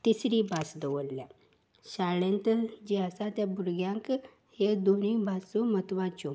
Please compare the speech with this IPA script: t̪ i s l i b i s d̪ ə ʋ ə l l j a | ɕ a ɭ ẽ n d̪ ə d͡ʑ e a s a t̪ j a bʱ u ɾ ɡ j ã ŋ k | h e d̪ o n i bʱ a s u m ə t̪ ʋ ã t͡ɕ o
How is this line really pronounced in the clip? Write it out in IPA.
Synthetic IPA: t̪ i s ɾ i b a s d̪ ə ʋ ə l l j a | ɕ a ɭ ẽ n t̪ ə d͡ʑ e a s a t̪ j a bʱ u ɾ ɡ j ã ŋ k | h e d̪ o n i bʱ a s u m ə t̪ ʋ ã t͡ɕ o